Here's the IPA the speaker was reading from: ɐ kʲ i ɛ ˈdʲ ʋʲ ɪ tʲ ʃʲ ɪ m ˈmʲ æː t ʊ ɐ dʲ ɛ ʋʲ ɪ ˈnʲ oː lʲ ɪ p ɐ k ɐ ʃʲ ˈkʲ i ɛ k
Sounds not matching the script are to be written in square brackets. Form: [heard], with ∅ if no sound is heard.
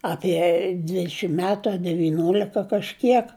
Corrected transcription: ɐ [pʲ] i ɛ ˈdʲ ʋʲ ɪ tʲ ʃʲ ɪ m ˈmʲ æː t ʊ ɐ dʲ ɛ ʋʲ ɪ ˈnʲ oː lʲ ɪ [k] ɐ k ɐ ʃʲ ˈkʲ i ɛ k